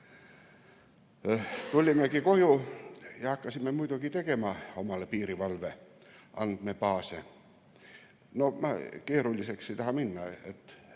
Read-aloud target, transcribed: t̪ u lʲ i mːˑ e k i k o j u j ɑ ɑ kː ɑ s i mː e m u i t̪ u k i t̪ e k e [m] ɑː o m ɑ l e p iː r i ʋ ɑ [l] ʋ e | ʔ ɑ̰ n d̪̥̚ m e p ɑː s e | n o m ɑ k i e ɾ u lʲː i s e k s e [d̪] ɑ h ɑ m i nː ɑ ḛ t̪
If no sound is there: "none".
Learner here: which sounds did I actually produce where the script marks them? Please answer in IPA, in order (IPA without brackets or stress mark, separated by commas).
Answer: m, l, t̪